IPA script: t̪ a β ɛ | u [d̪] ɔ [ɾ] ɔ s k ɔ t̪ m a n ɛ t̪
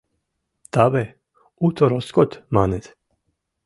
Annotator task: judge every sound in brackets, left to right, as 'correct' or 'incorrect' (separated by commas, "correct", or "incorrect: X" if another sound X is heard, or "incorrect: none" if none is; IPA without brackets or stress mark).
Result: incorrect: t̪, correct